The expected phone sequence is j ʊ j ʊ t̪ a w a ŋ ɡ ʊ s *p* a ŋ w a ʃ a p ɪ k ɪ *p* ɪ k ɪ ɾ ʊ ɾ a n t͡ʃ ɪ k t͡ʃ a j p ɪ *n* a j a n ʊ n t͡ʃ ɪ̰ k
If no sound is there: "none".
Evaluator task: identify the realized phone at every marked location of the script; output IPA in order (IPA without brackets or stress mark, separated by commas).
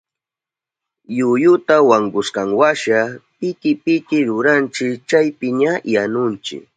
k, p, ɲ